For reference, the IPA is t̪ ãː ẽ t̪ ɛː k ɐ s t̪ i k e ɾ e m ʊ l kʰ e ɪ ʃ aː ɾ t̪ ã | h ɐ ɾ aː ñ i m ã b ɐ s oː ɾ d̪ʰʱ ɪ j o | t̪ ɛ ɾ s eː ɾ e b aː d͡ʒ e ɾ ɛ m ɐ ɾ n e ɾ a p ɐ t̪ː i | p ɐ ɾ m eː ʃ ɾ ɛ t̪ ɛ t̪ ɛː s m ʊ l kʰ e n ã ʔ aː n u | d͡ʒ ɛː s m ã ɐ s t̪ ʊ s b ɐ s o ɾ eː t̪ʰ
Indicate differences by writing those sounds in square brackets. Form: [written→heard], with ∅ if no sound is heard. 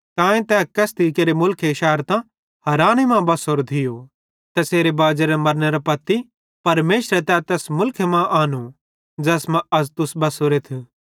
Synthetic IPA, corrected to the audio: t̪ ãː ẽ t̪ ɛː k ɐ s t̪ i k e ɾ e m ʊ l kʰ e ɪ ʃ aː ɾ t̪ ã | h ɐ ɾ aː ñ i m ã b ɐ s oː ɾ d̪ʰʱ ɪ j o | t̪ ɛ [ɾ→∅] s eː ɾ e b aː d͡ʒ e ɾ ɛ m ɐ ɾ n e ɾ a p ɐ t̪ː i | p ɐ ɾ m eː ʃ ɾ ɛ t̪ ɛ t̪ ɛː s m ʊ l kʰ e [n→m] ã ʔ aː n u | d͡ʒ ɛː s m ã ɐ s t̪ ʊ s b ɐ s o ɾ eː t̪ʰ